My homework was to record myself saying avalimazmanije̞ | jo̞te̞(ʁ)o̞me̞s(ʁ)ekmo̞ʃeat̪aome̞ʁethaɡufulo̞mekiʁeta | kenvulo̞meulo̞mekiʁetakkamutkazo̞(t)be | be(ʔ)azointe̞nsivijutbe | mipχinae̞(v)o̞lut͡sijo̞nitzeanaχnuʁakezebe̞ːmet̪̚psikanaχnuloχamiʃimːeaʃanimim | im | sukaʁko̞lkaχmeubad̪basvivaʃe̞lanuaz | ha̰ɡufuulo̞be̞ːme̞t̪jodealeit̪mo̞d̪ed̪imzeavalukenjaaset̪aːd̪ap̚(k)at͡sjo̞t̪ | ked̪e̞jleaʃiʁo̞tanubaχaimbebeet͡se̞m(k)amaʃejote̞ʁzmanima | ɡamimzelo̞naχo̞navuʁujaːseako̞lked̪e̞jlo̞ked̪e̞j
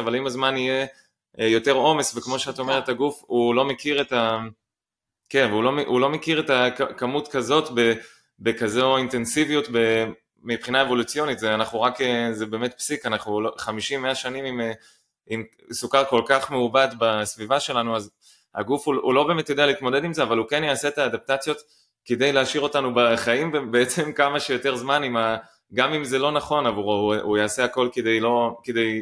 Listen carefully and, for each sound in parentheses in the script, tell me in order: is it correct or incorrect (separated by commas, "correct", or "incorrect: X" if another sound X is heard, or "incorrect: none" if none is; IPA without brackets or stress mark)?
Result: correct, incorrect: v, correct, incorrect: k, correct, incorrect: t, correct